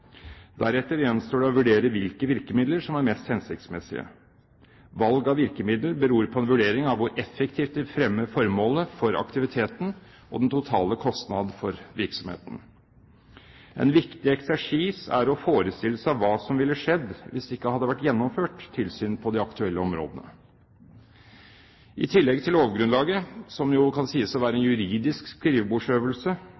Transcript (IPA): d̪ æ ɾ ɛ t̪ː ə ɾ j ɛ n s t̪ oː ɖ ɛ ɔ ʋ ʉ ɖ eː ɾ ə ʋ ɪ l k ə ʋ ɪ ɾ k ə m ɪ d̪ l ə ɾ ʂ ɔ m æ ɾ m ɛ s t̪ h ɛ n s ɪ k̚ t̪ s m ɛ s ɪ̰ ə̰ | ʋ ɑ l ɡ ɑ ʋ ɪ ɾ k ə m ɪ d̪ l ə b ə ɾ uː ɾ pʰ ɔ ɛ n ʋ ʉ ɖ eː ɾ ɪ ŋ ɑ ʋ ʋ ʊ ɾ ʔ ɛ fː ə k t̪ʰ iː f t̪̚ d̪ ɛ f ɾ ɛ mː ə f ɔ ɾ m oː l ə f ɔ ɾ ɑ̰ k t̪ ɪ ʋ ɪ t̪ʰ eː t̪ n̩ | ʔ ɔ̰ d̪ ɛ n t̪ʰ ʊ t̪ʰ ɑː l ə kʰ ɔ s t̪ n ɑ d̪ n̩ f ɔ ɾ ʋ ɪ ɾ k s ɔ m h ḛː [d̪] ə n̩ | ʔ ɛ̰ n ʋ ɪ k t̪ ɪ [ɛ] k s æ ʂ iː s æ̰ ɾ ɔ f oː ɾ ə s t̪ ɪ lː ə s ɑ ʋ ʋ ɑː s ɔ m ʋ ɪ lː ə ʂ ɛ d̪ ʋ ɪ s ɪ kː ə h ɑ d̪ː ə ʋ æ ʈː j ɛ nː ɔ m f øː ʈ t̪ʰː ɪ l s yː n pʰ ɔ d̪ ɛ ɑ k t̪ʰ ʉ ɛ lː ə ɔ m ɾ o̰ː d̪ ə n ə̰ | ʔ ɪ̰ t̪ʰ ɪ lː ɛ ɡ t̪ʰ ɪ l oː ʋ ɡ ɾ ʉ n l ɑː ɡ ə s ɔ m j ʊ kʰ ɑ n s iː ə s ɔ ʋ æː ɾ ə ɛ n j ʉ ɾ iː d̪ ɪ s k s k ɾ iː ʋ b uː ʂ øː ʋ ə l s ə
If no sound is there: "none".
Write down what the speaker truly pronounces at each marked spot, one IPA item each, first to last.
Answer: t̪, ɛ

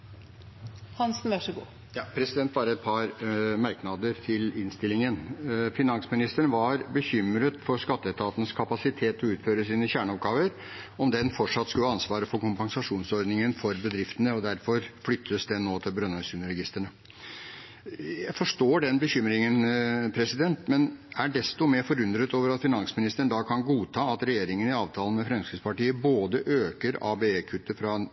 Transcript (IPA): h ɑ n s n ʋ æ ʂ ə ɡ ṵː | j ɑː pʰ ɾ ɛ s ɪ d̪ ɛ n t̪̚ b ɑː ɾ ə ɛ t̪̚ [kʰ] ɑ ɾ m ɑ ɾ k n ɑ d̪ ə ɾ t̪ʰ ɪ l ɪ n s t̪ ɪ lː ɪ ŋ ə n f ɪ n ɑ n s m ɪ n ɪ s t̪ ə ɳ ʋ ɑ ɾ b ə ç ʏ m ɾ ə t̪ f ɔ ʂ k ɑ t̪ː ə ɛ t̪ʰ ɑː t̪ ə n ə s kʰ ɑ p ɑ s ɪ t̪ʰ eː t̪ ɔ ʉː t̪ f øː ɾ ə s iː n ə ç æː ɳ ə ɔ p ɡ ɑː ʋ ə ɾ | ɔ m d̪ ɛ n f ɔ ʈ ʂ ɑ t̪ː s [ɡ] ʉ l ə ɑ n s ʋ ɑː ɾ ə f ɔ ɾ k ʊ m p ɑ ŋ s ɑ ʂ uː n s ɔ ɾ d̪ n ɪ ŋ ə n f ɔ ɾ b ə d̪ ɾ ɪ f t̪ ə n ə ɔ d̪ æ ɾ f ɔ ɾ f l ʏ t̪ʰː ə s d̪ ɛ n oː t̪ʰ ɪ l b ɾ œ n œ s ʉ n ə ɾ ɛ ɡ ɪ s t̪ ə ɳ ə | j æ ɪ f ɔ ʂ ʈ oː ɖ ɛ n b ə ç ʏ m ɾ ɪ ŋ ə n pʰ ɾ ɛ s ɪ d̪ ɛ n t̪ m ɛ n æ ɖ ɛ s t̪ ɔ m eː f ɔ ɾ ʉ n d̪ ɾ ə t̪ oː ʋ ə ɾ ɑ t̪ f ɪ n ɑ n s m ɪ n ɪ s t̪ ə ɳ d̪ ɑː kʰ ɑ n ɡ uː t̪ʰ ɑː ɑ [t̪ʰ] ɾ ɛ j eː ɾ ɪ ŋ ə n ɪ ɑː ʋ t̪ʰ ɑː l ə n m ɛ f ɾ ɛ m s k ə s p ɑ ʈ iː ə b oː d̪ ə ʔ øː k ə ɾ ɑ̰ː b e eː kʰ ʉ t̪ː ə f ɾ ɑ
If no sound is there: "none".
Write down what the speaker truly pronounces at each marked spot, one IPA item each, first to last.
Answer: pʰ, k, t̪

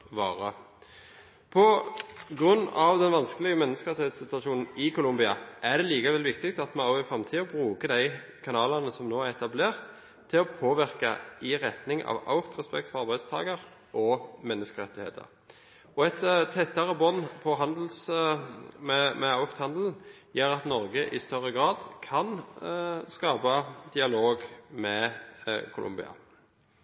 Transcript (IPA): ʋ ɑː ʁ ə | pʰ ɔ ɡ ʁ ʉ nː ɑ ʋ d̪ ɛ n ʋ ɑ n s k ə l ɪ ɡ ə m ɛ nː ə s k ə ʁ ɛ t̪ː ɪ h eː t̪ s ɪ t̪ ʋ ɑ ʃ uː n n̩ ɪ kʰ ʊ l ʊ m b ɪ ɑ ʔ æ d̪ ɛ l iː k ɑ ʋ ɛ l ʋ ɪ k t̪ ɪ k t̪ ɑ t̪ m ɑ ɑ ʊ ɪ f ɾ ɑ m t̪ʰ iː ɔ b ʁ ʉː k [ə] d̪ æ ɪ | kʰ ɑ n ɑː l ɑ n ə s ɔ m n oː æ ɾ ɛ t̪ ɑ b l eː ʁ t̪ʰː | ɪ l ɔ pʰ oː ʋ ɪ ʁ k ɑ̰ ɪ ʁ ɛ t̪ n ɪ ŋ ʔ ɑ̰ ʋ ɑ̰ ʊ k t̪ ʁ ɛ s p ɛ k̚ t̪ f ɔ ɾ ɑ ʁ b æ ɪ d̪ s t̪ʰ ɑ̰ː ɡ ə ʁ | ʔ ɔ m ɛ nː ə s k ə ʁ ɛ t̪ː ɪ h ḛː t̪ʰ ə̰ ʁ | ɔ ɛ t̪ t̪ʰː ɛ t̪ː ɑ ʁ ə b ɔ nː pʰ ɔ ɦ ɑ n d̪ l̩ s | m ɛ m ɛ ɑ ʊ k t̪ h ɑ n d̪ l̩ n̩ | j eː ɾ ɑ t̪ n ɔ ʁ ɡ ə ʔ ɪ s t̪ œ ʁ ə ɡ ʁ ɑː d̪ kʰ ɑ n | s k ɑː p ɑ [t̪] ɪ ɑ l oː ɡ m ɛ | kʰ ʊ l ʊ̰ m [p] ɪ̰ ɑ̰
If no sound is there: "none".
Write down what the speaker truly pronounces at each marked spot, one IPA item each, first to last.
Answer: ə, d̪, b

